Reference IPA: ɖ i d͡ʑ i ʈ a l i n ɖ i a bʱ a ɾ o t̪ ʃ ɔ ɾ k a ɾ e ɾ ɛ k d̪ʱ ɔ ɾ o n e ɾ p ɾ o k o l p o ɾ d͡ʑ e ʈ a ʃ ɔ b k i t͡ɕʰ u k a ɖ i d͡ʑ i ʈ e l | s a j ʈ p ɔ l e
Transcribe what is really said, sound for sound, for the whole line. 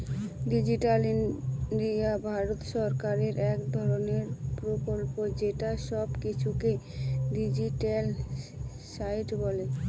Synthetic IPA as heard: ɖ i d͡ʑ i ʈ a l i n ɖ i a bʱ a ɾ o t̪ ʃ ɔ ɾ k a ɾ e ɾ ɛ k d̪ʱ ɔ ɾ o n e ɾ p ɾ o k o l p o d͡ʑ e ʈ a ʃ ɔ b k i t͡ɕʰ u k e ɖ i d͡ʑ i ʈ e l | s a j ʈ b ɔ l e